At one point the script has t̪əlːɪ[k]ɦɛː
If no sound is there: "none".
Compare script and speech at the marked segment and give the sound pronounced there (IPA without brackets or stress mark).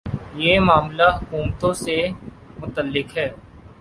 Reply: k